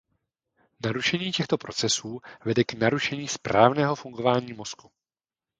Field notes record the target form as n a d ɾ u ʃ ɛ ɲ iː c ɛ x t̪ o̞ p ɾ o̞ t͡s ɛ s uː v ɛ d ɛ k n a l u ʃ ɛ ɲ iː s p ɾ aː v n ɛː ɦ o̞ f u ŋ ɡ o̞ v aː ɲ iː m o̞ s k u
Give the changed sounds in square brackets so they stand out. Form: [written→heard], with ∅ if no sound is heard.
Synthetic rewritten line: n a [d→∅] ɾ u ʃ ɛ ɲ iː c ɛ x t̪ o̞ p ɾ o̞ t͡s ɛ s uː v ɛ d ɛ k n a [l→ɾ] u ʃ ɛ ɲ iː s p ɾ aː v n ɛː ɦ o̞ f u ŋ ɡ o̞ v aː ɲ iː m o̞ s k u